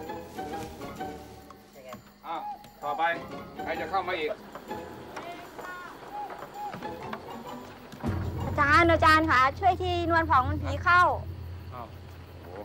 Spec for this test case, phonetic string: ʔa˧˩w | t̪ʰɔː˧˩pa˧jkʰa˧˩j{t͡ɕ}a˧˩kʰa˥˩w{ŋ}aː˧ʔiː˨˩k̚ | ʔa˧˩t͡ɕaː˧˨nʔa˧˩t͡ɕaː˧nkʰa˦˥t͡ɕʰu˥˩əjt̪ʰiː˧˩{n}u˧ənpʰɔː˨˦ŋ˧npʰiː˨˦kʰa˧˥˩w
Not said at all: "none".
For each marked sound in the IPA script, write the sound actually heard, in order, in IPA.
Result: t͡ɕ, m, n

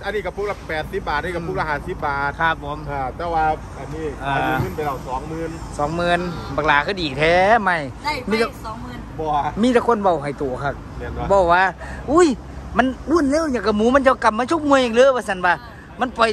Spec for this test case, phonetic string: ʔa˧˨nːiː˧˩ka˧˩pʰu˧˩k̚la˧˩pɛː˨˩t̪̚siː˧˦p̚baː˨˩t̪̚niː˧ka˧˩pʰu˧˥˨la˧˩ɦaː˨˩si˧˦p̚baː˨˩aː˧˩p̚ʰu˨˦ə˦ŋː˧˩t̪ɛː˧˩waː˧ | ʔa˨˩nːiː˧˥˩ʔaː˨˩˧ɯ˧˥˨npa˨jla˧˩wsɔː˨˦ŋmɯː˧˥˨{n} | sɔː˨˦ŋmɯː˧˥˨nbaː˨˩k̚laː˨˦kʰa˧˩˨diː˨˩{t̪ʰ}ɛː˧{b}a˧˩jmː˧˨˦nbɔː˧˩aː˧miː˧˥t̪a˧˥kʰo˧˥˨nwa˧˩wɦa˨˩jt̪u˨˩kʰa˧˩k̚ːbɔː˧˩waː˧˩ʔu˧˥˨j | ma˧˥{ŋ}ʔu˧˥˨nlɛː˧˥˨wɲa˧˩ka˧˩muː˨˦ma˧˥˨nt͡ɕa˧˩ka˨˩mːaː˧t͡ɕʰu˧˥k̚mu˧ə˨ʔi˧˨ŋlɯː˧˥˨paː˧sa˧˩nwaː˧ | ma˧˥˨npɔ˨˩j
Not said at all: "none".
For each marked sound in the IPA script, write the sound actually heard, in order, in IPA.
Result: n, t̪ʰ, m, n

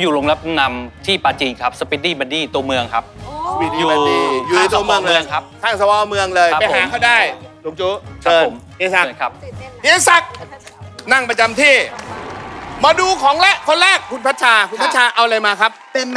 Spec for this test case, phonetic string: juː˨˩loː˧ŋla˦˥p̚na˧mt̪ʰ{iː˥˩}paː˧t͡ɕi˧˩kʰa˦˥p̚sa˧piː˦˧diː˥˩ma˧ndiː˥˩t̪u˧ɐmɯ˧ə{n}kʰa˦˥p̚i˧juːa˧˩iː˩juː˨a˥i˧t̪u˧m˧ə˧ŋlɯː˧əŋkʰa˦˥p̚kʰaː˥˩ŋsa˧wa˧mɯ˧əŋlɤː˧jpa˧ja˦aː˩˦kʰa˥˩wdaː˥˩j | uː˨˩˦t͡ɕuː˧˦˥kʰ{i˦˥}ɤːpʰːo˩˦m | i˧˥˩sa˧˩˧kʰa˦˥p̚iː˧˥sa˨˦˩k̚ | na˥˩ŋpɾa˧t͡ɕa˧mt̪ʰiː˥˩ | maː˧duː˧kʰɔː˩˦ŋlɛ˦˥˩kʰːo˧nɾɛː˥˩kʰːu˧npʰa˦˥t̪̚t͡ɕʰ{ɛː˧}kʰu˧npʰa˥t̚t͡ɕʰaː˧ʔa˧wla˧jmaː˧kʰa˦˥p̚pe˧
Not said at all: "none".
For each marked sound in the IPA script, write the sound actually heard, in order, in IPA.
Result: iː˥˩, ŋ, a˦˥, aː˧

